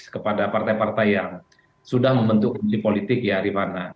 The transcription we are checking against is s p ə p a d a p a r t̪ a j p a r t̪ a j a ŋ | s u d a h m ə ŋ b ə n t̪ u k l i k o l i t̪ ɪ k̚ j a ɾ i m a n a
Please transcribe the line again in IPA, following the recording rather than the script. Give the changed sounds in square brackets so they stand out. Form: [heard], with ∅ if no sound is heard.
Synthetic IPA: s [k] ə p a d a p a r t̪ a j p a r t̪ a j a ŋ | s u d a h m ə [m] b ə n t̪ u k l i [p] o l i t̪ ɪ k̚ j a ɾ i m a n a

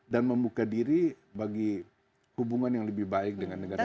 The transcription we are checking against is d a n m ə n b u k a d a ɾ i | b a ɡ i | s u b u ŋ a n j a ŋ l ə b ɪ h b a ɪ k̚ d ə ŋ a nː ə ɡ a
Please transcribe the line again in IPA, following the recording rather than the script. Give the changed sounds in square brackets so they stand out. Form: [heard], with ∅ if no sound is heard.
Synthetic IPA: d a n m ə [m] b u k a d [i] ɾ i | b a ɡ i | [h] u b u ŋ a n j a ŋ l ə b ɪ h b a ɪ k̚ d ə ŋ a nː ə ɡ a

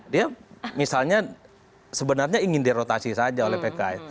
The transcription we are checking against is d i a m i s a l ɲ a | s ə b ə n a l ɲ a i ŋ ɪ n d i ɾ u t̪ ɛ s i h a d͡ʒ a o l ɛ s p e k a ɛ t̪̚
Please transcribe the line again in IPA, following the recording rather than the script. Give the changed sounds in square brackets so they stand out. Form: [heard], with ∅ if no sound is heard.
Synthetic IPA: d i a m i s a l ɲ a | s ə b ə n a [r] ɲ a i ŋ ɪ n d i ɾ [o] t̪ [a] s i [s] a d͡ʒ a o l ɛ [h] p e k a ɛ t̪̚

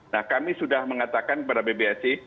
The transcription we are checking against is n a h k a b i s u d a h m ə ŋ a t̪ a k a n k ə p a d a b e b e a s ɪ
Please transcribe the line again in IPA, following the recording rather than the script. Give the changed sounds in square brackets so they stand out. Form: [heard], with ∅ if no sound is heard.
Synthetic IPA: n a h k a [m] i s u d a h m ə ŋ a t̪ a k a n k ə p a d a b e b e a s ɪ

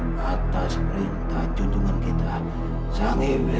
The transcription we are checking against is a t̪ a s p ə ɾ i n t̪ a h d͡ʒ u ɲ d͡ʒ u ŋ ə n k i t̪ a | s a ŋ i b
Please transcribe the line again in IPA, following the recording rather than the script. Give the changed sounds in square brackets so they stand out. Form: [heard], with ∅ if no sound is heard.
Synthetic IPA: a t̪ a s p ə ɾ i n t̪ a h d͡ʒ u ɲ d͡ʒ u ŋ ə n k i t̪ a | s a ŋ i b

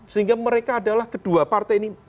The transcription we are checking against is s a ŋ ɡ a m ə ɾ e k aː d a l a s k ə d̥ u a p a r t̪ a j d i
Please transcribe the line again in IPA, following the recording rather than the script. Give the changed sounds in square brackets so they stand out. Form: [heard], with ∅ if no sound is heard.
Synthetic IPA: s [i] ŋ ɡ a m ə ɾ e k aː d a l a [h] k ə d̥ u a p a r t̪ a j [n] i

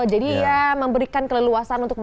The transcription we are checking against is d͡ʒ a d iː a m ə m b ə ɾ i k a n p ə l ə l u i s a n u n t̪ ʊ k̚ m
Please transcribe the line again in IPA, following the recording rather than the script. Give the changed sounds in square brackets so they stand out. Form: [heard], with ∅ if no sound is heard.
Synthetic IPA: d͡ʒ a d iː a m ə m b ə ɾ i k a n [k] ə l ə l u [a] s a n u n t̪ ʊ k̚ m

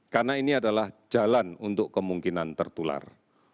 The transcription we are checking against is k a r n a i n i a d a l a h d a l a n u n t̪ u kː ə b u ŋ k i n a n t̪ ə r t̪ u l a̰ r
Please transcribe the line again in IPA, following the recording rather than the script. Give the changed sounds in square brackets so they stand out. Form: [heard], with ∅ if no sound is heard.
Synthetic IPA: k a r n a i n i a d a l a h [d͡ʒ] a l a n u n t̪ [ʊ] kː ə [m] u ŋ k i n a n t̪ ə r t̪ u l a̰ r

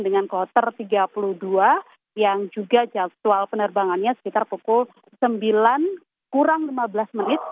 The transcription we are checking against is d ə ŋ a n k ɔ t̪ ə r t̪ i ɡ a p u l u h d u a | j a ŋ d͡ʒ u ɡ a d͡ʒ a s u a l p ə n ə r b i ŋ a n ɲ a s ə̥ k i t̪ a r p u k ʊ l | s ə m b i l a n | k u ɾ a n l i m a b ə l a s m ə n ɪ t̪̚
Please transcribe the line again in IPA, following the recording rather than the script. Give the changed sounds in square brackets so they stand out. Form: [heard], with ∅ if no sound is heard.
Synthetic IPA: d ə ŋ a n k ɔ t̪ ə r t̪ i ɡ a p u l u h d u a | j a ŋ d͡ʒ u ɡ a d͡ʒ a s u a l p ə n ə r b [a] ŋ a n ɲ a s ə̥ k i t̪ a r p u k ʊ l | s ə m b i l a n | k u ɾ a [ŋ] l i m a b ə l a s m ə n ɪ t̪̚

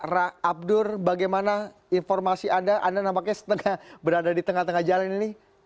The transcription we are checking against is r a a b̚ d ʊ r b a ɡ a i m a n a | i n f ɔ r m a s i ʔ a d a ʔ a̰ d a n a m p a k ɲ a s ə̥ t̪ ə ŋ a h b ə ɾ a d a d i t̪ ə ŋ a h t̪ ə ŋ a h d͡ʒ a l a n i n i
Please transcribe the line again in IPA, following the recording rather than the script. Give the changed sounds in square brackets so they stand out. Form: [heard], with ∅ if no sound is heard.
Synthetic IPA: r a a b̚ d ʊ r b a ɡ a [j] m a n a | i n f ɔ r m a s i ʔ a d a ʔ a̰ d a n a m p a k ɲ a s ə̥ t̪ ə ŋ a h b ə ɾ a d a d i t̪ ə ŋ a h t̪ ə ŋ a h d͡ʒ a l a n i n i

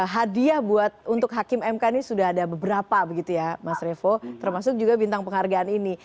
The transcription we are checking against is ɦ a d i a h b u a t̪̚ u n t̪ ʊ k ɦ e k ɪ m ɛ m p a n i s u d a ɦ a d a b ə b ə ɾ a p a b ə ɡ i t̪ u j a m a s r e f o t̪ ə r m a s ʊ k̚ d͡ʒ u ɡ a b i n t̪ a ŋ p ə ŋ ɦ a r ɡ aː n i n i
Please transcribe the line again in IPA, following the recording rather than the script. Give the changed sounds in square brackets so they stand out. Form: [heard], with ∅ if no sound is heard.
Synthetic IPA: ɦ a d i a h b u a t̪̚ u n t̪ ʊ k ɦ [a] k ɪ m ɛ m [k] a n i s u d a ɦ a d a b ə b ə ɾ a p a b ə ɡ i t̪ u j a m a s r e f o t̪ ə r m a s ʊ k̚ d͡ʒ u ɡ a b i n t̪ a ŋ p ə ŋ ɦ a r ɡ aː n i n i

